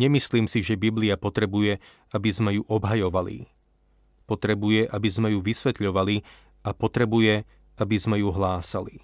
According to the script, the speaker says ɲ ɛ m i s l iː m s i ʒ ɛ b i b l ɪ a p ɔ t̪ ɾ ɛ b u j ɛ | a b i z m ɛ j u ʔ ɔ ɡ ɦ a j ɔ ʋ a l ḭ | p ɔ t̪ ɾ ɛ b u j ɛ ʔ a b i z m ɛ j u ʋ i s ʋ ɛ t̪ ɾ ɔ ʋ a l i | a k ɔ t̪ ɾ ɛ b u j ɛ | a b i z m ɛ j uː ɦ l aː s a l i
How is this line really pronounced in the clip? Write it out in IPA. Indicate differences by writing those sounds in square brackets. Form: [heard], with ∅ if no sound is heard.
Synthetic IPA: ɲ ɛ m i s l iː m s i ʒ ɛ b i b l [i] a p ɔ t̪ ɾ ɛ b u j ɛ | a b i z m ɛ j u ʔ ɔ [b] ɦ a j ɔ ʋ a l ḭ | p ɔ t̪ ɾ ɛ b u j ɛ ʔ a b i z m ɛ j u ʋ i s ʋ ɛ t̪ [ʎ] ɔ ʋ a l i | a [p] ɔ t̪ ɾ ɛ b u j ɛ | a b i z m ɛ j [u] ɦ l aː s a l i